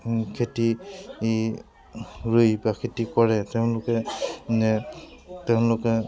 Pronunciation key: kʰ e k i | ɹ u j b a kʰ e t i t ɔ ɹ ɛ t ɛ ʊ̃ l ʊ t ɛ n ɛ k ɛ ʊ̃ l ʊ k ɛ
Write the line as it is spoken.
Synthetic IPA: kʰ e t i | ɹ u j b a kʰ e t i k ɔ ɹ ɛ t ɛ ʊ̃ l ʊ k ɛ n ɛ t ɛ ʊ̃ l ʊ k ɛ